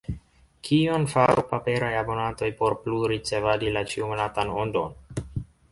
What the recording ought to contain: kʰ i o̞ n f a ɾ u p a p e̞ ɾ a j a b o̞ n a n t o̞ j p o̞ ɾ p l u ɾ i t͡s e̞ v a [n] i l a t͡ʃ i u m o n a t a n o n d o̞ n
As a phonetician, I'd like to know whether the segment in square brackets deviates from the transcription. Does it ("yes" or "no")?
yes